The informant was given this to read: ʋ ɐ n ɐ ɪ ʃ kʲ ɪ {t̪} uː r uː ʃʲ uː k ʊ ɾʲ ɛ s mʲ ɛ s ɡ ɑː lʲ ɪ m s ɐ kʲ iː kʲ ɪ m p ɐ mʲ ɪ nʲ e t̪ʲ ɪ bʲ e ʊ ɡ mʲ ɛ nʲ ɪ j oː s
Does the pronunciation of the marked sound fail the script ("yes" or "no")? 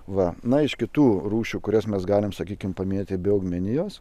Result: no